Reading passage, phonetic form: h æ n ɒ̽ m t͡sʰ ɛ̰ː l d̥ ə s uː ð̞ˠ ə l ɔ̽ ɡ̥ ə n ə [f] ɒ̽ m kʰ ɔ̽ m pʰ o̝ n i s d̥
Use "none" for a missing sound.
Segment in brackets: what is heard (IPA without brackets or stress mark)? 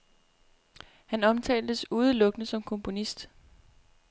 s